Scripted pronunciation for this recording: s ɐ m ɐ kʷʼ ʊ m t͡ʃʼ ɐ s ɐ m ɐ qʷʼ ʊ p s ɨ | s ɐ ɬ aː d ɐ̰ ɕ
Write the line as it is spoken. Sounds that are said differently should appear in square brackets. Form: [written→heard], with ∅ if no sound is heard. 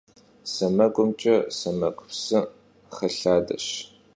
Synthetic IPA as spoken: s ɐ m ɐ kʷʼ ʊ m t͡ʃʼ ɐ s ɐ m ɐ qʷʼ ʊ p s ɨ | [s→χ] ɐ ɬ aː d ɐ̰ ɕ